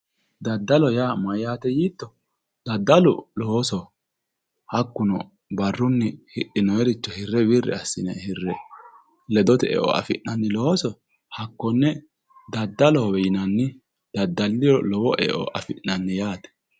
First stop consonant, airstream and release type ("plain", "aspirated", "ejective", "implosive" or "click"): plain